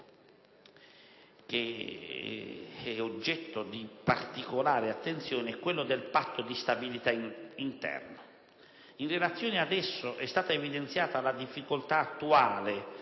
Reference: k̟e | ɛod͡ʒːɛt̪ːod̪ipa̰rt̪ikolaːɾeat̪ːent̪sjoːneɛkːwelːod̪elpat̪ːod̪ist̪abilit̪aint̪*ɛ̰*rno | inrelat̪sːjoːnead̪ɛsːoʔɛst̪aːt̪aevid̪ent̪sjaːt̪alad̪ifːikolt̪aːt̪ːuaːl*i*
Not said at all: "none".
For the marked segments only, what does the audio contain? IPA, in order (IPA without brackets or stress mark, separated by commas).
ɛ̰, e